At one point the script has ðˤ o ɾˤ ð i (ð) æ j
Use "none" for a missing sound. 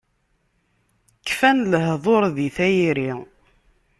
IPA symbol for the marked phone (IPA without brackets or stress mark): θ